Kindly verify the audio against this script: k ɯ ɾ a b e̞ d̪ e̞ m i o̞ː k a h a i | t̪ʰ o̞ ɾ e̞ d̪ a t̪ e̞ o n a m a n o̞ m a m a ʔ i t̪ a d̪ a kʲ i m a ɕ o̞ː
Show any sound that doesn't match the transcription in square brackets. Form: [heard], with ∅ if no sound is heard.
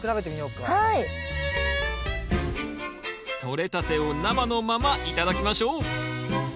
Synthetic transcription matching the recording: k ɯ ɾ a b e̞ [t̪] e̞ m i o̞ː k a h a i | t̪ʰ o̞ ɾ e̞ [t̪] a t̪ e̞ o n a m a n o̞ m a m a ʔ i t̪ a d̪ a kʲ i m a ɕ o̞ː

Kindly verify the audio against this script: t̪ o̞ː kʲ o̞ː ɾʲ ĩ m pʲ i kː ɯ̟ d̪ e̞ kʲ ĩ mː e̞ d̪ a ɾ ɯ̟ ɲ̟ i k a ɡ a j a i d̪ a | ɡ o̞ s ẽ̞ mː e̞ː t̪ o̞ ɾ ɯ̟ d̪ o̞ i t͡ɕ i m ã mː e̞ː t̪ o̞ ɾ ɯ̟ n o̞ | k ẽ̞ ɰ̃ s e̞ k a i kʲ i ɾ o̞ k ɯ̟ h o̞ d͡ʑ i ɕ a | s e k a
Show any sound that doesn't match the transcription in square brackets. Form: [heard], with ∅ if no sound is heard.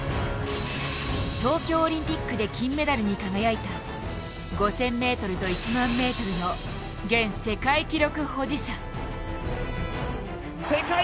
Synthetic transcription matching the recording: t̪ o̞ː kʲ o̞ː ɾʲ ĩ m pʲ i kː ɯ̟ d̪ e̞ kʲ ĩ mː e̞ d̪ a ɾ ɯ̟ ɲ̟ i k a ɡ a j a i [t̪] a | ɡ o̞ s ẽ̞ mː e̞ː t̪ o̞ ɾ ɯ̟ [t̪] o̞ i t͡ɕ i m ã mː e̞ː t̪ o̞ ɾ ɯ̟ n o̞ | [ɡ] ẽ̞ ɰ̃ s e̞ k a i kʲ i ɾ o̞ k ɯ̟ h o̞ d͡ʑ i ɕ a | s e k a

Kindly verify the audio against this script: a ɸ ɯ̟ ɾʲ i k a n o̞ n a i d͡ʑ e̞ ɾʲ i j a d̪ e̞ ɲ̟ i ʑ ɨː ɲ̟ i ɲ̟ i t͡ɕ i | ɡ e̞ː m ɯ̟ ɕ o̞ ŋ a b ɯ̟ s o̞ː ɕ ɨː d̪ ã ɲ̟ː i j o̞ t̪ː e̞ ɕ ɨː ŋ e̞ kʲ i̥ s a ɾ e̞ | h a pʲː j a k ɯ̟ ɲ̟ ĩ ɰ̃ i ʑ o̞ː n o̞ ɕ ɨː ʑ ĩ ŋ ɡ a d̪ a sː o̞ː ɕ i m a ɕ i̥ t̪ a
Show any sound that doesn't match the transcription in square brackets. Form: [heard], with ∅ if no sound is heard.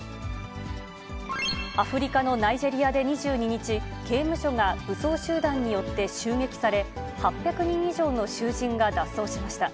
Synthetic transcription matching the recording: a ɸ ɯ̟ ɾʲ i k a n o̞ n a i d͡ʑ e̞ ɾʲ i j a d̪ e̞ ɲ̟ i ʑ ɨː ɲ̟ i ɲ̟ i t͡ɕ i | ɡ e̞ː m ɯ̟ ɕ o̞ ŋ a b ɯ̟ s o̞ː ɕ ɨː d̪ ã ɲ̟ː i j o̞ t̪ː e̞ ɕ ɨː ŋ e̞ kʲ i̥ s a ɾ e̞ | h a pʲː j a k ɯ̟ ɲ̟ ĩ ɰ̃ i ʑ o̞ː n o̞ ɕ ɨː ʑ ĩ ŋ ɡ a d̪ a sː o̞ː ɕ i m a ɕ i̥ t̪ a

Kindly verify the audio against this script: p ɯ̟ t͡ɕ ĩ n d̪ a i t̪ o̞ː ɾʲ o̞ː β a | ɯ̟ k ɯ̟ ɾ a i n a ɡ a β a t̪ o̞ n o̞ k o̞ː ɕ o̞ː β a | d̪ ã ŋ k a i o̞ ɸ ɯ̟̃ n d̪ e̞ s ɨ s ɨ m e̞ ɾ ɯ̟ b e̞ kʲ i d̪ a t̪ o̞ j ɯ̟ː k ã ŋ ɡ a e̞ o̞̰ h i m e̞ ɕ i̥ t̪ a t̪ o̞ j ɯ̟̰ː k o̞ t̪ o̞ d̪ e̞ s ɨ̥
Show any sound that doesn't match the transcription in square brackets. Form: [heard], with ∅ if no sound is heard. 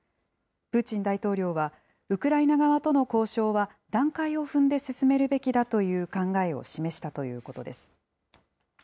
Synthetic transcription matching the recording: p ɯ̟ t͡ɕ ĩ n d̪ a i t̪ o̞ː ɾʲ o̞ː β a | ɯ̟ k ɯ̟ ɾ a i n a ɡ a β a t̪ o̞ n o̞ k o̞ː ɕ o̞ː β a | d̪ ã ŋ k a i o̞ ɸ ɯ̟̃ n d̪ e̞ s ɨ s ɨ m e̞ ɾ ɯ̟ b e̞ kʲ i d̪ a t̪ o̞ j ɯ̟ː k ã ŋ ɡ a e̞ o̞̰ [ɕ] i m e̞ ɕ i̥ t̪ a t̪ o̞ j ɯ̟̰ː k o̞ t̪ o̞ d̪ e̞ s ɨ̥

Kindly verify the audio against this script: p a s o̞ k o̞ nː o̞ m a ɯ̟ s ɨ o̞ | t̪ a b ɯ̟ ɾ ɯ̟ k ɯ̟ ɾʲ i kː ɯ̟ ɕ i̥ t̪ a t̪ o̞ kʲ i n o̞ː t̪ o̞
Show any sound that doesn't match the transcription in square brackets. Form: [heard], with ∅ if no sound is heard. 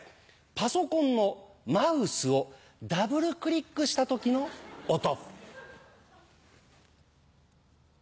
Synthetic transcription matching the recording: p a s o̞ k [õ̞] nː o̞ m a ɯ̟ s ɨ o̞ | [d̪] a b ɯ̟ ɾ ɯ̟ k ɯ̟ ɾʲ i kː ɯ̟ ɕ i̥ t̪ a t̪ o̞ kʲ i n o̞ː t̪ o̞

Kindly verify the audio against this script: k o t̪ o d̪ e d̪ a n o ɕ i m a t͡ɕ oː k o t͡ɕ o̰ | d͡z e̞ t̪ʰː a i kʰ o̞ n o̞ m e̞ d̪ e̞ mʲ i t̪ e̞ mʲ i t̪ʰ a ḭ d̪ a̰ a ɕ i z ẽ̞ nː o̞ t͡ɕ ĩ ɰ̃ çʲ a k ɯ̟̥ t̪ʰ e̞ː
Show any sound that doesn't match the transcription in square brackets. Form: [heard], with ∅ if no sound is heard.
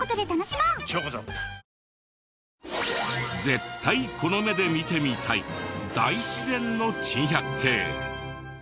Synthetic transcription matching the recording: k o t̪ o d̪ e [t̪] a n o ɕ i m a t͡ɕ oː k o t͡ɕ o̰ | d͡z e̞ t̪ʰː a i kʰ o̞ n o̞ m e̞ d̪ e̞ mʲ i t̪ e̞ mʲ i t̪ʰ a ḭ d̪ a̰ [i] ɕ i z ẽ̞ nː o̞ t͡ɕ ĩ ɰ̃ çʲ a k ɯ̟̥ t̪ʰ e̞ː

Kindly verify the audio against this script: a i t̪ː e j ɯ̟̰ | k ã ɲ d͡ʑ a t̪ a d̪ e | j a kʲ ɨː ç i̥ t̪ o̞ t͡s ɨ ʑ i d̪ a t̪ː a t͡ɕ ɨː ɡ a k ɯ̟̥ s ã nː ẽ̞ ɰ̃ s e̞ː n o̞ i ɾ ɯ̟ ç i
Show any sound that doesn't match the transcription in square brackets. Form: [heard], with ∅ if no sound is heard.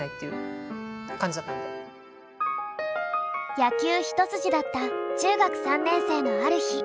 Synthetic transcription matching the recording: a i t̪ː e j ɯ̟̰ | k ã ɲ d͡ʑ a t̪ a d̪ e | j a kʲ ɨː ç i̥ t̪ o̞ t͡s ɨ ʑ i d̪ a t̪ː a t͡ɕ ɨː ɡ a k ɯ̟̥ s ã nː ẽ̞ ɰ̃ s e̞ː n o̞ [a] ɾ ɯ̟ ç i

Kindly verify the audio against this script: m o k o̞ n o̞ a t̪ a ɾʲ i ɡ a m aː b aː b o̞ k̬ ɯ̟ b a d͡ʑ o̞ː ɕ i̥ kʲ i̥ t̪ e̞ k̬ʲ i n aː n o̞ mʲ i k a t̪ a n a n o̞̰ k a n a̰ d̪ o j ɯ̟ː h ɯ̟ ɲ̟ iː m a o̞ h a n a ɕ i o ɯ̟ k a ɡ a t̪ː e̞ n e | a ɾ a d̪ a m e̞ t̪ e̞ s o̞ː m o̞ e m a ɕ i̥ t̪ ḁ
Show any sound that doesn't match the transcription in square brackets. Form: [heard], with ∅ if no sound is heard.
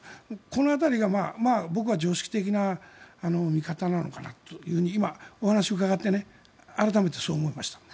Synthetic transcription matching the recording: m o k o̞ n o̞ a t̪ a ɾʲ i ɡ a m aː [m] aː b o̞ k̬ ɯ̟ [β] a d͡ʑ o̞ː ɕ i̥ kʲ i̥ t̪ e̞ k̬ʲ i n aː n o̞ mʲ i k a t̪ a n a n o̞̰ k a n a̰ [t̪] o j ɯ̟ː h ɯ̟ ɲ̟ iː m a o̞ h a n a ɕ i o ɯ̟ k a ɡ a t̪ː e̞ n e | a ɾ a [t̪] a m e̞ t̪ e̞ s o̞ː m o̞ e m a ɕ i̥ t̪ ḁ

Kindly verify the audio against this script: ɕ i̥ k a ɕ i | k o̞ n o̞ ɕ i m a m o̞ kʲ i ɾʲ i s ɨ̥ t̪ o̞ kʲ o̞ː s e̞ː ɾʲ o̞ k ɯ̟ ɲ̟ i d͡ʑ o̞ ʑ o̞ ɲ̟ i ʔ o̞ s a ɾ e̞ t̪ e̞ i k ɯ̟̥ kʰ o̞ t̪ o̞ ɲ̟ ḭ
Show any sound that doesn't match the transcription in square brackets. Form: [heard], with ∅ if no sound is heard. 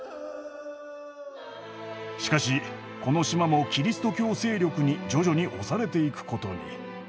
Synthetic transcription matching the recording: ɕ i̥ k a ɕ i | k o̞ n o̞ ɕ i m a m o̞ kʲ i ɾʲ i s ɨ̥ t̪ o̞ kʲ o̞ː s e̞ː ɾʲ o̞ k ɯ̟ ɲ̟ i d͡ʑ o̞ ʑ o̞ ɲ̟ i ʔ o̞ s a ɾ e̞ t̪ e̞ i k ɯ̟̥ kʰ o̞ t̪ o̞ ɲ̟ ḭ

